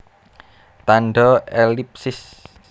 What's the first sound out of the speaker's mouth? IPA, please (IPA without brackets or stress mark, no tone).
t̪